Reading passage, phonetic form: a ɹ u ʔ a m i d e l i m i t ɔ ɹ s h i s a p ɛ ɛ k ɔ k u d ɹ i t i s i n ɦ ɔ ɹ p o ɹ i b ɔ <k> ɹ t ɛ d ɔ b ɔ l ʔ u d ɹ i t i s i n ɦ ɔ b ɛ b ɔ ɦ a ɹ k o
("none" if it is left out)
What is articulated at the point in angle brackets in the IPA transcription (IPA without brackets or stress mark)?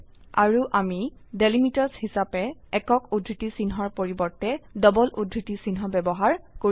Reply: none